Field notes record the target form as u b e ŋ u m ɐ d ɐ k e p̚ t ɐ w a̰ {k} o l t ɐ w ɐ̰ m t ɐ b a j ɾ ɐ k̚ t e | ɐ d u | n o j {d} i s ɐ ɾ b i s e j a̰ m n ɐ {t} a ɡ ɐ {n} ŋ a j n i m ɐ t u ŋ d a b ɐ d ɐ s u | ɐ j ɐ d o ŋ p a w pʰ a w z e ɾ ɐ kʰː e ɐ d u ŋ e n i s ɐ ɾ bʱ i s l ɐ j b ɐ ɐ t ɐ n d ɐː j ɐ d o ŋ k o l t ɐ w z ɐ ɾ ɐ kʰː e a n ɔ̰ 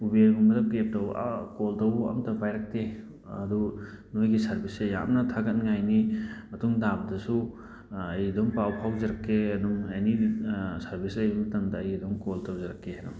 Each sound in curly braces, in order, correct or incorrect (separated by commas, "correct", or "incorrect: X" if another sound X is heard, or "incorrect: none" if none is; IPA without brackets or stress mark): correct, incorrect: ɡ, incorrect: tʰ, correct